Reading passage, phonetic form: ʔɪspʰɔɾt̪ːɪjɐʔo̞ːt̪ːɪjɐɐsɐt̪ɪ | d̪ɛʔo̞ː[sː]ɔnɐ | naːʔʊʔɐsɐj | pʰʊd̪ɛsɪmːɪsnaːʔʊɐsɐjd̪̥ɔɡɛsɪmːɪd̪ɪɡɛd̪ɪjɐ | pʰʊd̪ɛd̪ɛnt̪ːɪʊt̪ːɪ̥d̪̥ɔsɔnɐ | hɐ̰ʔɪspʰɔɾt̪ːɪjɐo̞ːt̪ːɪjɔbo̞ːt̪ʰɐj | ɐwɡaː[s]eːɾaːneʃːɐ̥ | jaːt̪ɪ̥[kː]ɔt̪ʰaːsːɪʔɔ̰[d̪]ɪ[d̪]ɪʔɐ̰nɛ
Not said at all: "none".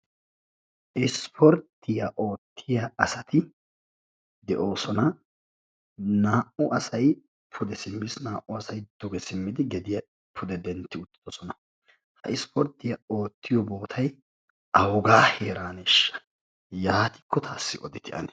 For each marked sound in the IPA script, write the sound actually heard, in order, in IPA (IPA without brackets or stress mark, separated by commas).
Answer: s, h, kː, d̪, t̪